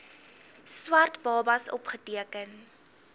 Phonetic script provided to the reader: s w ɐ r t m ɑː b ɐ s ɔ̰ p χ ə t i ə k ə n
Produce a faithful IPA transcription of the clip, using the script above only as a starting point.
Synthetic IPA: s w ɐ r t b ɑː b ɐ s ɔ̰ p χ ə t i ə k ə n